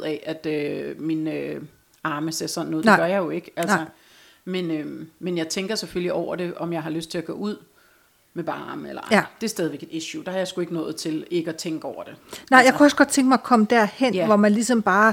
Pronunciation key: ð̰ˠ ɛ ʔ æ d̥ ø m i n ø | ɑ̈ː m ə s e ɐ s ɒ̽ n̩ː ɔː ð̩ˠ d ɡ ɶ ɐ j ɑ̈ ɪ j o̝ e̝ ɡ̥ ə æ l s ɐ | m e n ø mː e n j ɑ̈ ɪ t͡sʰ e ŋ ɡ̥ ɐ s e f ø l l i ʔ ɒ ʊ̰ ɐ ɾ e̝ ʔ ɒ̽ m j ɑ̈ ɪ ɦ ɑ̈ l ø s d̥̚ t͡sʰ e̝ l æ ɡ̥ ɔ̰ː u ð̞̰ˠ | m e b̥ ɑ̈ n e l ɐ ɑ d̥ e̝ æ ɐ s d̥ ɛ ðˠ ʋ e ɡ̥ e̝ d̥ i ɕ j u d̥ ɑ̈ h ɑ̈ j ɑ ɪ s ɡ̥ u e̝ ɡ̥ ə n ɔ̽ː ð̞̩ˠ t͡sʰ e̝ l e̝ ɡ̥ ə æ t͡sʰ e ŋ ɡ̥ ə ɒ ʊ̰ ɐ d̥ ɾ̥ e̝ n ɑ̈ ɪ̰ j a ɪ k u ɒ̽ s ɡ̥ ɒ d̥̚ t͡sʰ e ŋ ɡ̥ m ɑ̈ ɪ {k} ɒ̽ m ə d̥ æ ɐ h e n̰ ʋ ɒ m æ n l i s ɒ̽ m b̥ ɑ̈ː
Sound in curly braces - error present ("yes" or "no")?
yes